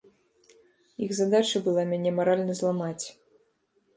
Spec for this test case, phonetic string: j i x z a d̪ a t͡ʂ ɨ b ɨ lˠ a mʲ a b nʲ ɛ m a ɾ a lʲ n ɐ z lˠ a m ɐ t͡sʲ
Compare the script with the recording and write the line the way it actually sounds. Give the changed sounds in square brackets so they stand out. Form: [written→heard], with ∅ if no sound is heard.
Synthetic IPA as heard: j i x z a d̪ a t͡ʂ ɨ b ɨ lˠ a mʲ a [b→∅] nʲ ɛ m a ɾ a lʲ n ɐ z lˠ a m [ɐ→a] t͡sʲ